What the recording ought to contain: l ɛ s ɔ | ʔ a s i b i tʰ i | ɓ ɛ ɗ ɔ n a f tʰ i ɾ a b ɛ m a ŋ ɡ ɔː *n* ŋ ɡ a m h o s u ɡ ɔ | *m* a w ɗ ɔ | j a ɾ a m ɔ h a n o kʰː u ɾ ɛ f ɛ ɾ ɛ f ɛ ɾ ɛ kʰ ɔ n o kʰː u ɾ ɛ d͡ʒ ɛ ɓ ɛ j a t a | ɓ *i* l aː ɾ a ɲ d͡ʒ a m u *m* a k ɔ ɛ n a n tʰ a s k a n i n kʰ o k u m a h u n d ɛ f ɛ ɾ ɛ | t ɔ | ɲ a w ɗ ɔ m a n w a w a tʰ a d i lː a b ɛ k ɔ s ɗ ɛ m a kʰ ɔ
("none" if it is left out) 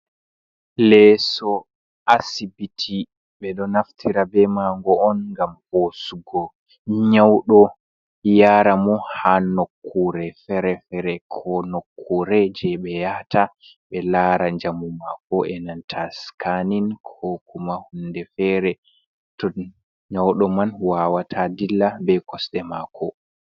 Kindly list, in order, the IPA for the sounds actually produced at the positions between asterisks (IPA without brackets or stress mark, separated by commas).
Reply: n, ɲ, ɛ, m